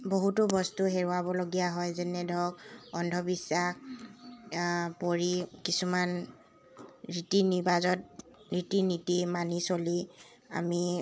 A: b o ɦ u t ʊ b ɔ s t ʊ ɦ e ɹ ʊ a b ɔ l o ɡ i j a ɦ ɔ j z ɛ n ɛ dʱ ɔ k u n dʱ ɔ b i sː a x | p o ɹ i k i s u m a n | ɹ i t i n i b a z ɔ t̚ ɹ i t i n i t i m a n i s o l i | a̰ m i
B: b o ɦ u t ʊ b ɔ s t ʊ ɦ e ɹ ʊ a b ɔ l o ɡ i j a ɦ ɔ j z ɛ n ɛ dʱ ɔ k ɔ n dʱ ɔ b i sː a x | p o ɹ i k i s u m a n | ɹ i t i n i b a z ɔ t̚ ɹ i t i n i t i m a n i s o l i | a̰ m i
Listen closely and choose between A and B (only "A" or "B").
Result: B